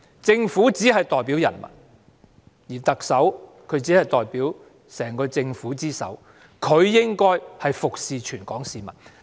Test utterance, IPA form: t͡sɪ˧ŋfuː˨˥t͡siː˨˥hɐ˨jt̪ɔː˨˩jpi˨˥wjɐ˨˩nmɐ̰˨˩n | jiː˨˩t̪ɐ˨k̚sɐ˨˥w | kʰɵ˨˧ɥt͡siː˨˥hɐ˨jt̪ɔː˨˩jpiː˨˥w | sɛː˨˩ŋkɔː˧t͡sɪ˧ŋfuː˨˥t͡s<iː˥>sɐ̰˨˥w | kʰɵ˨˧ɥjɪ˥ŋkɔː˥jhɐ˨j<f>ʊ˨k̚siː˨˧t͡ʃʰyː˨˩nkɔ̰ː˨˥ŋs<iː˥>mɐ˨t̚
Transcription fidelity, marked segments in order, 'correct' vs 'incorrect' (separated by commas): correct, correct, incorrect